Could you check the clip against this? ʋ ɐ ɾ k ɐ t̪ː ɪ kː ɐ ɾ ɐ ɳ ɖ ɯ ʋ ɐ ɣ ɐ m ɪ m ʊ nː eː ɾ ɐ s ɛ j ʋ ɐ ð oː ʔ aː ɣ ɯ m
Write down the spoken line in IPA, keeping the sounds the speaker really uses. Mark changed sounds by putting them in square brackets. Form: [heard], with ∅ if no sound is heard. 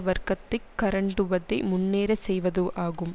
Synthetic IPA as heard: ʋ ɐ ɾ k ɐ t̪ː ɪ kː ɐ ɾ ɐ ɳ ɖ ɯ ʋ ɐ [ð] ɐ [∅] ɪ m ʊ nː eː ɾ ɐ s ɛ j ʋ ɐ ð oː ʔ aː ɣ ɯ m